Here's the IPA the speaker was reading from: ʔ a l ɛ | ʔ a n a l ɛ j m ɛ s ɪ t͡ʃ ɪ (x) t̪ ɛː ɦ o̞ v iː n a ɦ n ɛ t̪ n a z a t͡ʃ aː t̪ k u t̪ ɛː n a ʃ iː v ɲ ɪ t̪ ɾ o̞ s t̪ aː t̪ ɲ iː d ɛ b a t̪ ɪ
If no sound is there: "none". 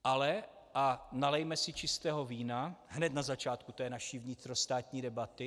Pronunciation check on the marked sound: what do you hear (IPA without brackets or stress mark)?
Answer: s